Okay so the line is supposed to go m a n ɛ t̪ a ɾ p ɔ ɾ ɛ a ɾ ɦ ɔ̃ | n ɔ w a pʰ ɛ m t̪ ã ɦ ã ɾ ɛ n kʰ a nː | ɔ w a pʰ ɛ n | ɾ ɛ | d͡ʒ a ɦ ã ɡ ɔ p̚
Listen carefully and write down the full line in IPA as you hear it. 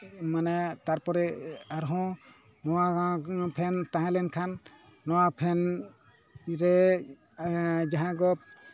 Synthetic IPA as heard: m a n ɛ t̪ a ɾ p ɔ ɾ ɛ a ɾ ɦ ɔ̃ | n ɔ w a pʰ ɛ n t̪ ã ɦ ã l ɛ n kʰ a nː | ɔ w a pʰ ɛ n | ɾ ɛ | d͡ʒ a ɦ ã ɡ ɔ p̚